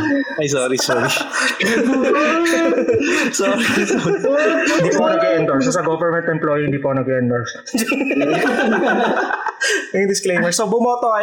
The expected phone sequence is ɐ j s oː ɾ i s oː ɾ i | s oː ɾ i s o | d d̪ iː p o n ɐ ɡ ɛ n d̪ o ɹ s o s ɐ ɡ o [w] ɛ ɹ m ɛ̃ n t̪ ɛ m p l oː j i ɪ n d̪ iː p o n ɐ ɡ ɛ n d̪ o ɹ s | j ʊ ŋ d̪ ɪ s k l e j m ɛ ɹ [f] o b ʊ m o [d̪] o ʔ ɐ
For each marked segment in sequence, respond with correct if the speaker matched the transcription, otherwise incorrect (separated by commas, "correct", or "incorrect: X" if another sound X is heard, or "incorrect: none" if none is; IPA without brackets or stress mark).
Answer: incorrect: v, incorrect: s, incorrect: t̪